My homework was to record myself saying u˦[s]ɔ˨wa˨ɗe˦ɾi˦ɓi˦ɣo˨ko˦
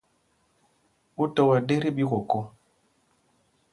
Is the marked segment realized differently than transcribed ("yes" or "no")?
yes